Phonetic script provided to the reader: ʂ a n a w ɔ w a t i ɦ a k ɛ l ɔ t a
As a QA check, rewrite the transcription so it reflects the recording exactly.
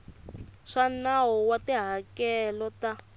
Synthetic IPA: ʂ a n a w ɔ w a t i ɦ a k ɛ l ɔ t a